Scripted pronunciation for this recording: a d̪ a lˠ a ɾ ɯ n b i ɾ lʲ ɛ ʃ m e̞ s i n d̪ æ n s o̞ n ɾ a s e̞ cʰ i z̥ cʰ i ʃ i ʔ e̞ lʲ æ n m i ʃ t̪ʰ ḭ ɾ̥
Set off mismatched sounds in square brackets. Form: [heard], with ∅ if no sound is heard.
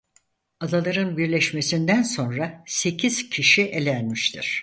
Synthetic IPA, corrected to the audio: a d̪ a lˠ a ɾ ɯ n b i ɾ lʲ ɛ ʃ m e̞ s i n d̪ æ n s o̞ n ɾ a s e̞ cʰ i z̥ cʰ i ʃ i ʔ e̞ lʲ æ n m i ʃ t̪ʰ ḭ ɾ̥